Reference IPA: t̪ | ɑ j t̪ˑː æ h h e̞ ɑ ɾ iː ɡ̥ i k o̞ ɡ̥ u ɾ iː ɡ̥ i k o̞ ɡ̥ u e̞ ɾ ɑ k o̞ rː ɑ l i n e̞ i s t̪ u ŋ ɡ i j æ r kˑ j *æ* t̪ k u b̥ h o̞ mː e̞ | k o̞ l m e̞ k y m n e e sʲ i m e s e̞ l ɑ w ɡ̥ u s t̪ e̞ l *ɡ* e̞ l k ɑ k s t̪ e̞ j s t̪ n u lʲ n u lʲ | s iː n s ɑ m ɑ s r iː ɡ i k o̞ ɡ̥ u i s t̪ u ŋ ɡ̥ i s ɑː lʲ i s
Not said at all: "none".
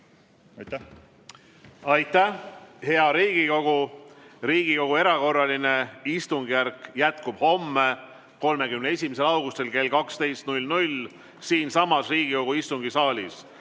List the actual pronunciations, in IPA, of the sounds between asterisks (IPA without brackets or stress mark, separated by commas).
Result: æ, k